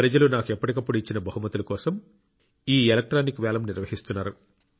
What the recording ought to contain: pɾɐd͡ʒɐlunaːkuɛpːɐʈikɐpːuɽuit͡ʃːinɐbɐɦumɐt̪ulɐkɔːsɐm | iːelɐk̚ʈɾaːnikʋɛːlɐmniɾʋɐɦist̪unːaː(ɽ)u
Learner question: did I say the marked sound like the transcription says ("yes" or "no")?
no